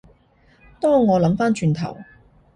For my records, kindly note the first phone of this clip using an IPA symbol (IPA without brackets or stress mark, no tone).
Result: t̪